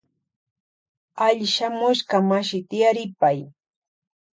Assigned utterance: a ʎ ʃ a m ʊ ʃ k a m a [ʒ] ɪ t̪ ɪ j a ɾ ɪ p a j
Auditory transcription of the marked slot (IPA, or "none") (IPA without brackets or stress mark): ʃ